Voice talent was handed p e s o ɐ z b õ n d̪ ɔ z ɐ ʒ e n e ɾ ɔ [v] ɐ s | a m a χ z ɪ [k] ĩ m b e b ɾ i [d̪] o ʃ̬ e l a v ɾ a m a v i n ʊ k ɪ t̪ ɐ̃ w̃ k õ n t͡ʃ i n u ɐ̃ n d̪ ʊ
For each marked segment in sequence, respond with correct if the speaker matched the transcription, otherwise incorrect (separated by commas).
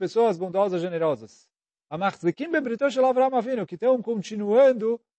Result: incorrect, correct, incorrect